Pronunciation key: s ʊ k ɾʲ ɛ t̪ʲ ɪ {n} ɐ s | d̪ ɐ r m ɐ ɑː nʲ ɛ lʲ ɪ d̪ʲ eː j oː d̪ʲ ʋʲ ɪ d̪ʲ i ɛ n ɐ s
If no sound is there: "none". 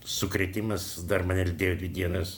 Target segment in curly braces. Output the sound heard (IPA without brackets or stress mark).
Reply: m